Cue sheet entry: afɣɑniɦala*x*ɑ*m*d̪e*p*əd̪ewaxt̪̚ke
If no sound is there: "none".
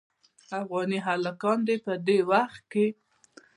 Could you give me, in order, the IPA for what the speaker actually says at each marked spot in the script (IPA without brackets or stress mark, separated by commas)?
k, n, p